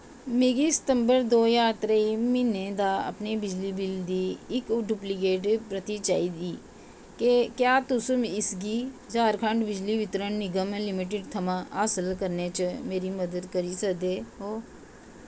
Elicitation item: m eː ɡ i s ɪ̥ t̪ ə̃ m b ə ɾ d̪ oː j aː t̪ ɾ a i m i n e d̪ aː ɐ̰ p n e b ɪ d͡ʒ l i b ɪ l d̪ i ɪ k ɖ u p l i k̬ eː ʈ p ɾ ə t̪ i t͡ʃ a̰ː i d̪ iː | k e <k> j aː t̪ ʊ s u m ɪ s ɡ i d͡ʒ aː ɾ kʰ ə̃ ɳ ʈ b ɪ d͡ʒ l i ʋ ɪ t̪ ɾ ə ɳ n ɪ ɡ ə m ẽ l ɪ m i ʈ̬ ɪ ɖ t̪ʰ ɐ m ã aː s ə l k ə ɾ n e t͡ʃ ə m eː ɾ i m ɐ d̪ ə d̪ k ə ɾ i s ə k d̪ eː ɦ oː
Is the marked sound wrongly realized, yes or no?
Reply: no